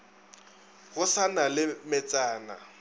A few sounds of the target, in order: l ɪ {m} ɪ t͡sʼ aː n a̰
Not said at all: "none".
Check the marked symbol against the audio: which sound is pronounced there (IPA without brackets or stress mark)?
m